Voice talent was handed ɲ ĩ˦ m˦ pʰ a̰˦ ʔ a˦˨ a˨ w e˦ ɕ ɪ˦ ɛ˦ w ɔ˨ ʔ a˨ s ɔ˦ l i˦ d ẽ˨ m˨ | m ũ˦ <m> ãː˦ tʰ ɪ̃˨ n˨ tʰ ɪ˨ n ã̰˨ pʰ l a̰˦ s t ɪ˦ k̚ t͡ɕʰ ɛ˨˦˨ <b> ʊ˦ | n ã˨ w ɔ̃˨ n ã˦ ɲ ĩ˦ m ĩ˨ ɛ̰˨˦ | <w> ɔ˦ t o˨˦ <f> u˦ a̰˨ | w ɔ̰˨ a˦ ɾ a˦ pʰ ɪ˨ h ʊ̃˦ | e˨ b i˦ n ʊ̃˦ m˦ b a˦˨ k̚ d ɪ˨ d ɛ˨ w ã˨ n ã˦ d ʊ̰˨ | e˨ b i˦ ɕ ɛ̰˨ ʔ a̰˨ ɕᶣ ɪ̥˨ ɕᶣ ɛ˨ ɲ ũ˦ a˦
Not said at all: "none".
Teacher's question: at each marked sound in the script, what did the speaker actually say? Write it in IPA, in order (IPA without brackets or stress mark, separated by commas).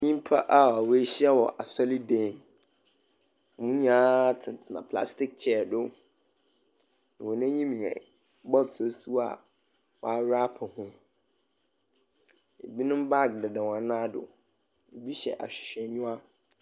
ɲ, d, b, s